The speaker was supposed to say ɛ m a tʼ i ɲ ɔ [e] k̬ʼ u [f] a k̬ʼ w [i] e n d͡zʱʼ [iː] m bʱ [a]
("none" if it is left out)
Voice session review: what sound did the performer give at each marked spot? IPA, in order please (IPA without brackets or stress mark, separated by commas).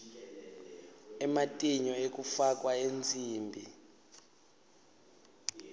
e, f, a, iː, i